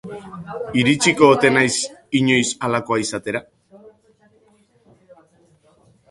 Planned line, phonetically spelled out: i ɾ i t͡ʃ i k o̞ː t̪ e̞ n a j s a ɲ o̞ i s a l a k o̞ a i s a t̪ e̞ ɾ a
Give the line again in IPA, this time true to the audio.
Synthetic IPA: i ɾ i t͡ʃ i k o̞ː t̪ e̞ n a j s i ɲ o̞ j s a l a k o̞ a i s a t̪ e̞ ɾ a